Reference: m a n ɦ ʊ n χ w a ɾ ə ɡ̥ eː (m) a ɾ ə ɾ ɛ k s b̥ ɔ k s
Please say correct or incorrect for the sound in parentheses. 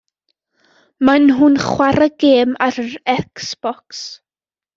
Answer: correct